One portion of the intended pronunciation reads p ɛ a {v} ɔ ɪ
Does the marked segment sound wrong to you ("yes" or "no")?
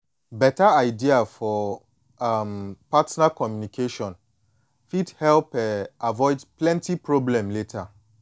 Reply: no